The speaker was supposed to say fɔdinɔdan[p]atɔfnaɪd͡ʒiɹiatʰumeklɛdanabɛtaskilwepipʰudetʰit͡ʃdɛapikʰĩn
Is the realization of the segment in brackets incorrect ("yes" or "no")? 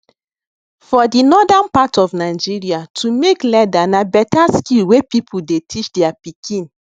no